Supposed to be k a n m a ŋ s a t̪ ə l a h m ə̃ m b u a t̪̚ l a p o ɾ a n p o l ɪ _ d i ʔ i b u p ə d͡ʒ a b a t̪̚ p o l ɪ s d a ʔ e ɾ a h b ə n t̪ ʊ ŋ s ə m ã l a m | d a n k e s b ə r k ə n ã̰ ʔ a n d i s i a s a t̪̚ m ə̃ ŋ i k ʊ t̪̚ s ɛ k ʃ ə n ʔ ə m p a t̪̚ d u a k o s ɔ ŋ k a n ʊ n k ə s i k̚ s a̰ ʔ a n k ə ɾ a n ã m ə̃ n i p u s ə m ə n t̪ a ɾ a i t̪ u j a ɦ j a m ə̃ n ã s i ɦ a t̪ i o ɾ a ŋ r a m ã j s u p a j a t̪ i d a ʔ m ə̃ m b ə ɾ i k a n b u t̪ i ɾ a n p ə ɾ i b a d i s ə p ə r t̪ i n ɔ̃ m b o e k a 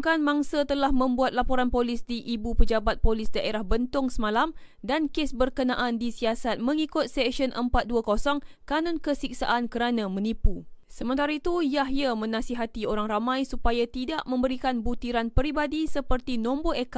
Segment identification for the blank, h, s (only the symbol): s